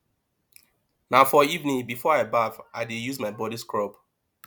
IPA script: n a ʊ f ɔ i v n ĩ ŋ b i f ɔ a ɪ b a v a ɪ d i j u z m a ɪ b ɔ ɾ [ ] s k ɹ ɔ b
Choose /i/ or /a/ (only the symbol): i